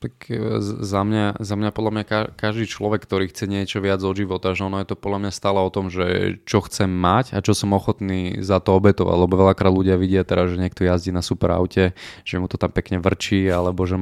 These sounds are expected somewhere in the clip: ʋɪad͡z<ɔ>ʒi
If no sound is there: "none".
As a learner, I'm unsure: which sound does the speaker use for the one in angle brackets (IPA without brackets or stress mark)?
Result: ɔ